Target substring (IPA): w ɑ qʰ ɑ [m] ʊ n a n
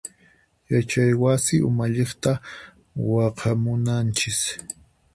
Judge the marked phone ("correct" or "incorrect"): correct